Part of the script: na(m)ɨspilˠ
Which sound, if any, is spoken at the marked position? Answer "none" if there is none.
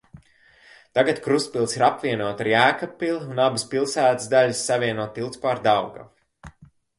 b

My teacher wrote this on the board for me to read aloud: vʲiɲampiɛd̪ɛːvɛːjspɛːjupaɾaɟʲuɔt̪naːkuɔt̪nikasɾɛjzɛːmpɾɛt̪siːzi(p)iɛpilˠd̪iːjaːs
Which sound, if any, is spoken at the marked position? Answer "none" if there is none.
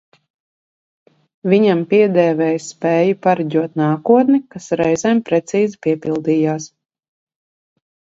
p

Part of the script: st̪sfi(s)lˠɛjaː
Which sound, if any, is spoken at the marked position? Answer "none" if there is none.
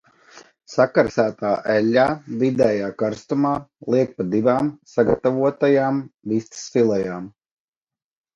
none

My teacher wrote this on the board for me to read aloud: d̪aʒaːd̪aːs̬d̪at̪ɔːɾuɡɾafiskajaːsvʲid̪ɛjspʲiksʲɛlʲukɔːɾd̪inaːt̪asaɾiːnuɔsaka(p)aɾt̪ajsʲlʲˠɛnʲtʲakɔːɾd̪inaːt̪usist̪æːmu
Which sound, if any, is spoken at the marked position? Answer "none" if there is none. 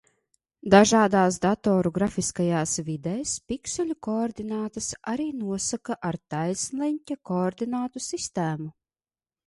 ʔ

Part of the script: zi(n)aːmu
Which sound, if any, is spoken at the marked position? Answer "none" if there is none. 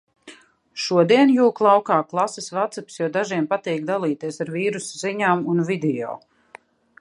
ɲ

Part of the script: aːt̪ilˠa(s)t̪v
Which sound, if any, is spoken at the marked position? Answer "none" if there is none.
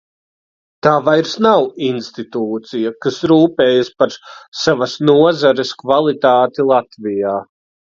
none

